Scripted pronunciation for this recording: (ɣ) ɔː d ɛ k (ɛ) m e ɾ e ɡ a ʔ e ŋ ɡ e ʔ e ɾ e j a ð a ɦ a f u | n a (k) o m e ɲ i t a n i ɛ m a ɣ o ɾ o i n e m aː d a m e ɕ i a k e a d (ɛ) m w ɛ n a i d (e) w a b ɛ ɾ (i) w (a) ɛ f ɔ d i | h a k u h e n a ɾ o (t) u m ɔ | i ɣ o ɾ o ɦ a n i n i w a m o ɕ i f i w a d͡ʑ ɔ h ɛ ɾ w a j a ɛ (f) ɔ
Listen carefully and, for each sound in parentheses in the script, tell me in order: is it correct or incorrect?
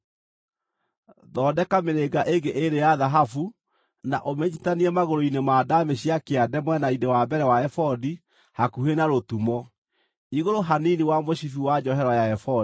incorrect, incorrect, incorrect, correct, correct, incorrect, correct, correct, correct

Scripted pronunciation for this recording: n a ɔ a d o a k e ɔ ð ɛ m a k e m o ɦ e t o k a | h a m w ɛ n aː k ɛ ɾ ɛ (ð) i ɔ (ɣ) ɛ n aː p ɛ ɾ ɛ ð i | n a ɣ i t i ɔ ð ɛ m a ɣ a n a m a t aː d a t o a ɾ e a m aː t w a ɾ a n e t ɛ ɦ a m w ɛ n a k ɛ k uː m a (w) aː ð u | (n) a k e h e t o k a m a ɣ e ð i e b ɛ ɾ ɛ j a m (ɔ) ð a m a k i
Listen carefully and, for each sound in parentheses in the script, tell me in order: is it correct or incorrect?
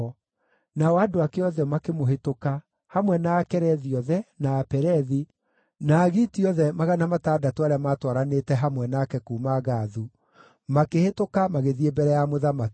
correct, incorrect, incorrect, incorrect, incorrect

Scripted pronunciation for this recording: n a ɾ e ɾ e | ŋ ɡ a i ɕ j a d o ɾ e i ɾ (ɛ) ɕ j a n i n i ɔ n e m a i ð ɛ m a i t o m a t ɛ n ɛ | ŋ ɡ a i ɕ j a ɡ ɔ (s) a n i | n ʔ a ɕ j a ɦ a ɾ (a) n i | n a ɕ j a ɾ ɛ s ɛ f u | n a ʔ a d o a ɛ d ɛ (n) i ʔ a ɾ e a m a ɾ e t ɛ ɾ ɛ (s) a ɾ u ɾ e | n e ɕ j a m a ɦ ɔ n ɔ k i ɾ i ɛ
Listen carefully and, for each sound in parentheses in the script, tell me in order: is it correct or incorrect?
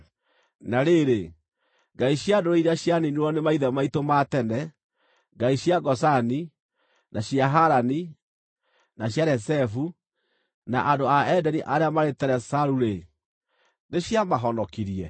incorrect, correct, correct, correct, correct

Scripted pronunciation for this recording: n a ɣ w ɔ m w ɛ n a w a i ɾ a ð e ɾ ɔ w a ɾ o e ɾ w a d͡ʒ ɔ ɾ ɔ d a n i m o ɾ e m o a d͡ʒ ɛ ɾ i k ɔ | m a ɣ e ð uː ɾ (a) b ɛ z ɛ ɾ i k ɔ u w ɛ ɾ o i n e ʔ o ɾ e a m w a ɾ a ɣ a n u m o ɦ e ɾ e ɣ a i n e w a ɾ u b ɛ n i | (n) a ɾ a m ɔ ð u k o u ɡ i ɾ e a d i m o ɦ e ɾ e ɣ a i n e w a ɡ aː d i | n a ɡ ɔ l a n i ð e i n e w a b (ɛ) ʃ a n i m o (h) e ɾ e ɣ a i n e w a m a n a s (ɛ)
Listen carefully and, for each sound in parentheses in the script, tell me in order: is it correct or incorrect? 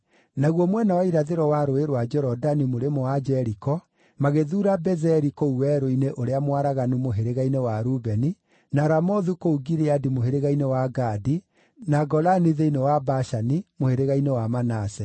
correct, correct, incorrect, correct, correct

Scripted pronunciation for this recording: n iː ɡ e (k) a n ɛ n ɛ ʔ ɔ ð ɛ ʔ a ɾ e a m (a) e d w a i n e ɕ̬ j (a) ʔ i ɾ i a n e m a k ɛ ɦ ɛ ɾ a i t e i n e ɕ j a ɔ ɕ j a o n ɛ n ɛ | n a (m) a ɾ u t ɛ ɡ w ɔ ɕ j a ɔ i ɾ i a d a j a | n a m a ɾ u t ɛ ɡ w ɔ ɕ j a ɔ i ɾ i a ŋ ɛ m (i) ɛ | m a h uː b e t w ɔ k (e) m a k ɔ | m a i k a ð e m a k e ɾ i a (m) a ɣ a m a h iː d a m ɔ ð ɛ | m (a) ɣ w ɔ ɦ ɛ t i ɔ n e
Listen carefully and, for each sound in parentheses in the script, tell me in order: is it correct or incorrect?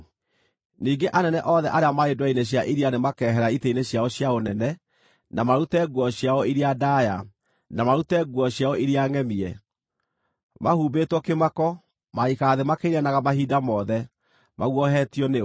incorrect, correct, correct, correct, correct, correct, incorrect, correct

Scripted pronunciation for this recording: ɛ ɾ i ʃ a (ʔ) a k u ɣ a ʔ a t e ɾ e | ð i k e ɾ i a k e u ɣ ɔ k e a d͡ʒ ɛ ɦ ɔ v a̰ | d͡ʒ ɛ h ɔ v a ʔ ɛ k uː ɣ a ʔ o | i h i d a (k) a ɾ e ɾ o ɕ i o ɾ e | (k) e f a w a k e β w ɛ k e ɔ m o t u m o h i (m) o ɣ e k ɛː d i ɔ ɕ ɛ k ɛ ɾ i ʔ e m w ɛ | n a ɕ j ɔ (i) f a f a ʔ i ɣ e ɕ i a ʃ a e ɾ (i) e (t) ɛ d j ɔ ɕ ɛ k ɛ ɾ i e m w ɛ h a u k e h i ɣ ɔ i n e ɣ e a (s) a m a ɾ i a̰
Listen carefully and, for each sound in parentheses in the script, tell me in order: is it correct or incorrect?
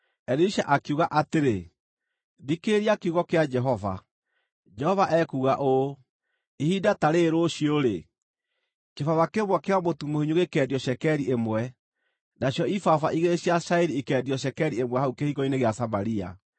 correct, incorrect, correct, incorrect, correct, correct, incorrect, correct

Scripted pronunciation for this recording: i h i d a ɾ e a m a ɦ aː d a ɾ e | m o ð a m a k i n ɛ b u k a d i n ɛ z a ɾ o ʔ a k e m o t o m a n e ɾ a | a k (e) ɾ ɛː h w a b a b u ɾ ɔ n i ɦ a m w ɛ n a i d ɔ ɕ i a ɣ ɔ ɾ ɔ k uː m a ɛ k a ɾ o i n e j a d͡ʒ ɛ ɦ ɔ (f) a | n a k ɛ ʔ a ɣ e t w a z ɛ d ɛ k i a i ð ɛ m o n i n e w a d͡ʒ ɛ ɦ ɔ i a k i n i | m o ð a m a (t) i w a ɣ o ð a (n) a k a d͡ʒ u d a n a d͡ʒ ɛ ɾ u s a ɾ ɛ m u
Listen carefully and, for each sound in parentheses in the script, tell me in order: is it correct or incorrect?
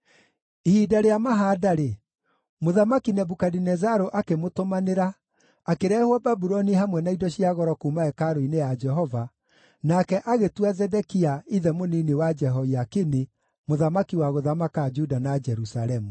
correct, incorrect, incorrect, incorrect

